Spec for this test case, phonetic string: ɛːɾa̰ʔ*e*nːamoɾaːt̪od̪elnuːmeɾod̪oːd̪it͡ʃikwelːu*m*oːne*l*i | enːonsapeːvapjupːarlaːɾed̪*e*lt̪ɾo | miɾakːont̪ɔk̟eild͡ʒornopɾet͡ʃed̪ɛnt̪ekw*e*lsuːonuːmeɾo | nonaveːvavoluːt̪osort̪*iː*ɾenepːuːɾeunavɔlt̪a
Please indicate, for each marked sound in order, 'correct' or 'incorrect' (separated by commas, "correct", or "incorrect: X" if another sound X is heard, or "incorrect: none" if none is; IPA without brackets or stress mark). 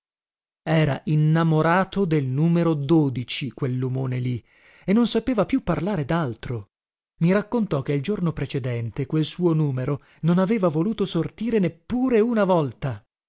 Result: incorrect: i, correct, correct, incorrect: a, correct, correct